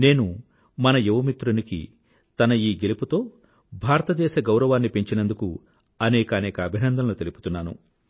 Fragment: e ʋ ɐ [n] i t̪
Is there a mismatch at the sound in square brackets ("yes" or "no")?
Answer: yes